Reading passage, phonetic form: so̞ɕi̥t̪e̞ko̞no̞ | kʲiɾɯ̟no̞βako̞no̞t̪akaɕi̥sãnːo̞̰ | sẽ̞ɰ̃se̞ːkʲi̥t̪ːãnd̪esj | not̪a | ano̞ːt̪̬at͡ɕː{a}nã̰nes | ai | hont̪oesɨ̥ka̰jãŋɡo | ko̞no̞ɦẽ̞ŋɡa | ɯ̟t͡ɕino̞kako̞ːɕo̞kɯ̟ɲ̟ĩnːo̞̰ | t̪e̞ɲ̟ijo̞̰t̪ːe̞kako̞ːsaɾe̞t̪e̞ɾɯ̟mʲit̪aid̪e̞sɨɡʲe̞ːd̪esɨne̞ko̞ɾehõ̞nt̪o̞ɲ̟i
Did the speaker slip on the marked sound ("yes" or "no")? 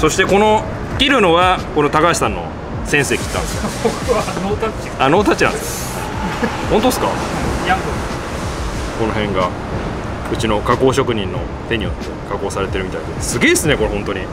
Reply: yes